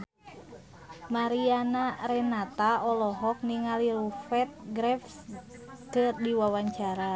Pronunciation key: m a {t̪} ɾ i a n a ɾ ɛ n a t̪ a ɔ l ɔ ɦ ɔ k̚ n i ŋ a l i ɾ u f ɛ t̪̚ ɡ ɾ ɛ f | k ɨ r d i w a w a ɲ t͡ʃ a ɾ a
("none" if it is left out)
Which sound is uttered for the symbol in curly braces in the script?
none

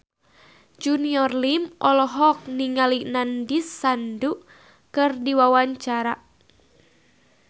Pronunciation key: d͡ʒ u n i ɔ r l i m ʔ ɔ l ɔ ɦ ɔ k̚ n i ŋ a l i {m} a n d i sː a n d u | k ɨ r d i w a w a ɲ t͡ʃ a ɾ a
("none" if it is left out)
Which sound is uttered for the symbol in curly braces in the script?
n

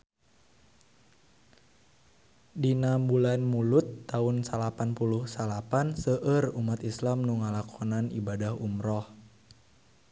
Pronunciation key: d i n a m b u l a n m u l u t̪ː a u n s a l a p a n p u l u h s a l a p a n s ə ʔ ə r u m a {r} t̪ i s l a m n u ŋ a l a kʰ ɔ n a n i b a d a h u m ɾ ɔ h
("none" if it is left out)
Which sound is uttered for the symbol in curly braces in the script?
none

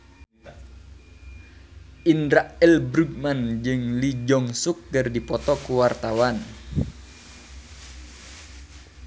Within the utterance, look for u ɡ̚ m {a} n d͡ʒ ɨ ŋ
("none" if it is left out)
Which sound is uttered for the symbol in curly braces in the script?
a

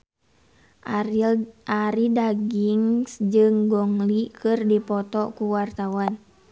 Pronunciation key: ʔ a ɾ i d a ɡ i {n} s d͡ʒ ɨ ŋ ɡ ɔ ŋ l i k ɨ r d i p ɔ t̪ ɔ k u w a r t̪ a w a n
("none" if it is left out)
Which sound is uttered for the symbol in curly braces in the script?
ŋ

